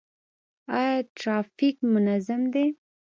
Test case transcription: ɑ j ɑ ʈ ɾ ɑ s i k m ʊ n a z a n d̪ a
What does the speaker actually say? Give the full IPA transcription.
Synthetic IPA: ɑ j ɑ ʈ ɾ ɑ f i k m ʊ n a z a m d̪ e